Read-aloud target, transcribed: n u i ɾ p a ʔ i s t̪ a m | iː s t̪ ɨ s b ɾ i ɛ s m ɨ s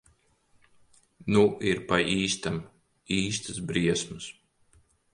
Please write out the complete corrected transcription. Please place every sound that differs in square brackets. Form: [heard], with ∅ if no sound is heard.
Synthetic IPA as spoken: n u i ɾ p a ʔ [iː] s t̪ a m | iː s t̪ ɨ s b ɾ i ɛ s m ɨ s